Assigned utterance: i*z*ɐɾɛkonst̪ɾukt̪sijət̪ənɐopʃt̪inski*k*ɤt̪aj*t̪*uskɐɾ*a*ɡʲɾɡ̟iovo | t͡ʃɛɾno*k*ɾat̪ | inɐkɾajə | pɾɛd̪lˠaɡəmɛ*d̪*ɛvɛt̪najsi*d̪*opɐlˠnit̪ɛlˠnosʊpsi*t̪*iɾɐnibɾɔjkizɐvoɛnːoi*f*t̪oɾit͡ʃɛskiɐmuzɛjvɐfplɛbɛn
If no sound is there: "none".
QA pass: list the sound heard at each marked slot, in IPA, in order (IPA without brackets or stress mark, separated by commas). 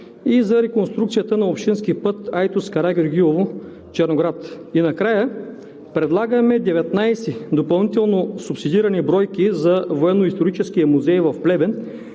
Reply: z, p, t̪, a, ɡ, d̪, d̪, d̪, s